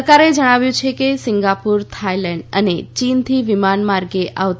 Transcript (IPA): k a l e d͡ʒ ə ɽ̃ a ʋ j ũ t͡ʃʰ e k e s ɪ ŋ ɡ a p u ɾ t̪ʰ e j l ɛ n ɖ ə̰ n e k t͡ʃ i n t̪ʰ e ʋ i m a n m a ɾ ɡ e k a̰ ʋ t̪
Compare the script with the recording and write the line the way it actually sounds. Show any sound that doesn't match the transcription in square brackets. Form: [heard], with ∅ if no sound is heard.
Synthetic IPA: k a [ɾ] e d͡ʒ ə ɽ̃ a ʋ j ũ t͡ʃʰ e k e s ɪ ŋ ɡ a p u ɾ t̪ʰ [a] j l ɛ [ɳ] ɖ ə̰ n e [∅] t͡ʃ i n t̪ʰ [i] ʋ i m a n m a ɾ ɡ e [ʔ] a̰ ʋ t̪